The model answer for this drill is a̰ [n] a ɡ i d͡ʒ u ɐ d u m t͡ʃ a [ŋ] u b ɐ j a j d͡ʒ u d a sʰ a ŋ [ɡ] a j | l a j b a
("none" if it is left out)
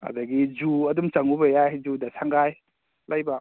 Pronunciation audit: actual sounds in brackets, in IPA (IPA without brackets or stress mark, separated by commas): d, ŋ, ɡ